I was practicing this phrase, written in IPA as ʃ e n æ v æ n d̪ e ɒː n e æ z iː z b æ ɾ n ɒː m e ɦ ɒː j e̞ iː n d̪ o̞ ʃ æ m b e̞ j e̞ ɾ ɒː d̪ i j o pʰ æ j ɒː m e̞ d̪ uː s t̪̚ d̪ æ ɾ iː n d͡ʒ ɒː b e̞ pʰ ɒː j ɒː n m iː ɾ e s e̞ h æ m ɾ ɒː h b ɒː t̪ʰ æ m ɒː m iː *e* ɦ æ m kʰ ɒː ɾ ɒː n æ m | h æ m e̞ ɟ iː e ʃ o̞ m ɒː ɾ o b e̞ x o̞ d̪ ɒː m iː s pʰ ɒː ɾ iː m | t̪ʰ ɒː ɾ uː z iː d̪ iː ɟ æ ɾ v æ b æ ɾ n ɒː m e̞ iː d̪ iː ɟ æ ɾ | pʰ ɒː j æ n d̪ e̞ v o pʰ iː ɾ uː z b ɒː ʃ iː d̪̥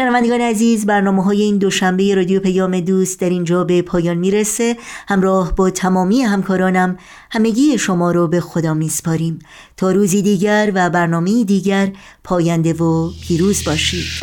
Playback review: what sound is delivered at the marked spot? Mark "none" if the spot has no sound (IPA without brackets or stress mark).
e